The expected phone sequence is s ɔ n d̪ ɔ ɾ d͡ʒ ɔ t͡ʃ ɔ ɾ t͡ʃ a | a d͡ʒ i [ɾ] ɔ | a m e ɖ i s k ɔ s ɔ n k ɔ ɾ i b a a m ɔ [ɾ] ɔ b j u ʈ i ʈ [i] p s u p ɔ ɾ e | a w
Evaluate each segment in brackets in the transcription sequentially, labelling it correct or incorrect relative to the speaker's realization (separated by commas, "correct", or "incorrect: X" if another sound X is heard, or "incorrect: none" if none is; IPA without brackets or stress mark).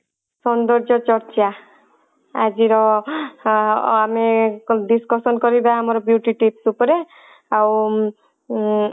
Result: correct, correct, correct